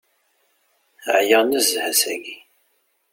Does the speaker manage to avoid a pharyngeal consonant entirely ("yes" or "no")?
no